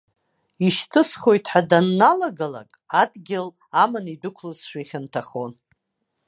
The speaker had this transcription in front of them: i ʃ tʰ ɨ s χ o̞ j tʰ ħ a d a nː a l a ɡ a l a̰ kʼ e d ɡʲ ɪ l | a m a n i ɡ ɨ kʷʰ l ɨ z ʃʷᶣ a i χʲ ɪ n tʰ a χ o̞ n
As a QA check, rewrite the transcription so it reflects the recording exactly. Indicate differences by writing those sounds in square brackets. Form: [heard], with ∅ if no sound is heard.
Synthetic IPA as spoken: i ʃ tʰ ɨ s χ o̞ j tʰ ħ a d a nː a l a ɡ a l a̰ kʼ [a] d ɡʲ ɪ l | a m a n i [d] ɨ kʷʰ l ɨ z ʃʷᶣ a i χʲ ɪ n tʰ a χ o̞ n